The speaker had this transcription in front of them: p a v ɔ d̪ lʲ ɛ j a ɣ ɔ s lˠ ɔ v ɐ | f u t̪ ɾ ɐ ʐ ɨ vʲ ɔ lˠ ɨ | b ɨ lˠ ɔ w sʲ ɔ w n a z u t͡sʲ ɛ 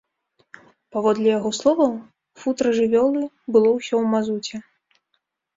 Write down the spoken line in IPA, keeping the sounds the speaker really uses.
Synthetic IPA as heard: p a v ɔ d̪ lʲ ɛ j a ɣ ɔ s lˠ ɔ v ɐ | f u t̪ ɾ ɐ ʐ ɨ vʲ ɔ lˠ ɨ | b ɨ lˠ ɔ w sʲ ɔ w m a z u t͡sʲ ɛ

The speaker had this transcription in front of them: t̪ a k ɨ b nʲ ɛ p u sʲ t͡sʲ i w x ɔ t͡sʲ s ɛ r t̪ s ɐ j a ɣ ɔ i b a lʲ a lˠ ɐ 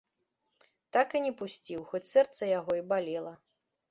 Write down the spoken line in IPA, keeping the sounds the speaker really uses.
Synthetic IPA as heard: t̪ a k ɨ nʲ ɛ p u sʲ t͡sʲ i w x ɔ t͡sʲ s ɛ r t̪ s ɐ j a ɣ ɔ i b a lʲ ɛ lˠ ɐ

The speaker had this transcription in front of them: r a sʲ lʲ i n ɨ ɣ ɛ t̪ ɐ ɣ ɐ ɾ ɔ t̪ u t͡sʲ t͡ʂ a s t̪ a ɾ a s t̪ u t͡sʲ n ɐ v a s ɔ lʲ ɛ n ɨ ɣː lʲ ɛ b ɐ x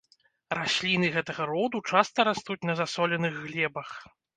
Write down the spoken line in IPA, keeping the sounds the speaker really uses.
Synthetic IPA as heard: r a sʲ lʲ i n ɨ ɣ ɛ t̪ ɐ ɣ ɐ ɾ ɔ d̪ u t͡ʂ a s t̪ ɐ ɾ a s t̪ u t͡sʲ n ɐ z a s ɔ lʲ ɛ n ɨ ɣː lʲ ɛ b ɐ x

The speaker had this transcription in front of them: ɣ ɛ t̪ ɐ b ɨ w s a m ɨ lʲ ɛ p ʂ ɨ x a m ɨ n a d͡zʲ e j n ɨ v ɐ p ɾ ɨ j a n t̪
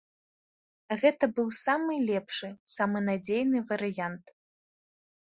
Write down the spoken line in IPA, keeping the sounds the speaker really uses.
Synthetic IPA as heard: ɣ ɛ t̪ ɐ b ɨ w s a m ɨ lʲ ɛ p ʂ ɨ s a m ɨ n a d͡zʲ e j n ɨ v ɐ ɾ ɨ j a n t̪

